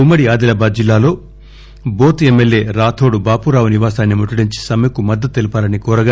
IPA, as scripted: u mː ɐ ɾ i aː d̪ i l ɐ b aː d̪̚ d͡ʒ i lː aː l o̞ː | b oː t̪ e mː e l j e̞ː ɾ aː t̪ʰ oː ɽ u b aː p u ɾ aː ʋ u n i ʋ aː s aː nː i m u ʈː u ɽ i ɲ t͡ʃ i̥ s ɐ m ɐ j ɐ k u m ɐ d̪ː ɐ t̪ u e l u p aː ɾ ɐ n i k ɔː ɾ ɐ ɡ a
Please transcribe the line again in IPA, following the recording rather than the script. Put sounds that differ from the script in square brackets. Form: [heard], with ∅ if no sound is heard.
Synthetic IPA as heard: u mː ɐ [ɽ] i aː d̪ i l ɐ b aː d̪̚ d͡ʒ i lː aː l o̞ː | b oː t̪ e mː e l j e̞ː ɾ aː t̪ʰ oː ɽ u b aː p u ɾ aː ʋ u n i ʋ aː s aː nː i m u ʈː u ɽ i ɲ t͡ʃ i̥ s ɐ m ɐ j ɐ k u m ɐ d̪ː ɐ t̪ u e l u p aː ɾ ɐ n i k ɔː ɾ ɐ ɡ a